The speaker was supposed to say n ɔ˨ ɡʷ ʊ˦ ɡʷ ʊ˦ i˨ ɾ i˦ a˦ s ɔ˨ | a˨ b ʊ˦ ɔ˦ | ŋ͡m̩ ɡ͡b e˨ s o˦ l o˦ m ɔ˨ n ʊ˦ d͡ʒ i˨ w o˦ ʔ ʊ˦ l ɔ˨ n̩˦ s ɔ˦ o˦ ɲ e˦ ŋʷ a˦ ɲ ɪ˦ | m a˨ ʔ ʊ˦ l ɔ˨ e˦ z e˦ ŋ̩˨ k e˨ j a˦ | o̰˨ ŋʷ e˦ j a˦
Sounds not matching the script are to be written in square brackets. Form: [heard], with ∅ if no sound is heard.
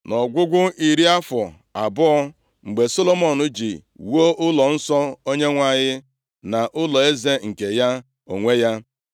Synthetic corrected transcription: n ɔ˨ ɡʷ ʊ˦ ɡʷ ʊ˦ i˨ ɾ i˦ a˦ [f] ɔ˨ | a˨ b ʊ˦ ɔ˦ | ŋ͡m̩ ɡ͡b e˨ s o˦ l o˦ m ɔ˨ n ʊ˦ d͡ʒ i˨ w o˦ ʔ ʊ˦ l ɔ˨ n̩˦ s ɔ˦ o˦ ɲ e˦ ŋʷ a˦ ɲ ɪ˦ | [n] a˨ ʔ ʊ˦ l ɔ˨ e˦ z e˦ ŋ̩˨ k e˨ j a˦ | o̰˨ ŋʷ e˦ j a˦